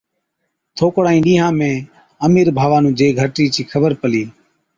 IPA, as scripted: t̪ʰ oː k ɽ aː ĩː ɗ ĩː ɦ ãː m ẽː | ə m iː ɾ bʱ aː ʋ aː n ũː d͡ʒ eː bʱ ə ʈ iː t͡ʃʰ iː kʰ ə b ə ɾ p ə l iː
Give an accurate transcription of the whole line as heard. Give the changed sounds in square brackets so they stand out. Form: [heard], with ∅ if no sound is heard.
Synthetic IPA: t̪ʰ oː k ɽ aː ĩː ɗ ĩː ɦ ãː m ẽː | ə m iː ɾ bʱ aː ʋ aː n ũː d͡ʒ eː [ɡʱ] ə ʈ iː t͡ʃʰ iː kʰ ə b ə ɾ p ə l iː